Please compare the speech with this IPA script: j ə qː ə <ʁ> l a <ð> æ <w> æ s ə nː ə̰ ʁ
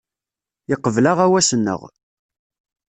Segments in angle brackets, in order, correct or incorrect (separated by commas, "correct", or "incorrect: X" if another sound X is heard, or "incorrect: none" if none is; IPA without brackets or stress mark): incorrect: v, incorrect: ʁ, correct